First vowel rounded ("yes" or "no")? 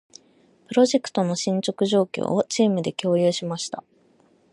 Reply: no